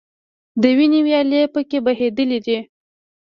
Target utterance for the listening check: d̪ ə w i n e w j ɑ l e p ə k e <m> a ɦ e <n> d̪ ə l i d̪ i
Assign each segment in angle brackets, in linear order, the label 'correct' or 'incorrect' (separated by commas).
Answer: incorrect, incorrect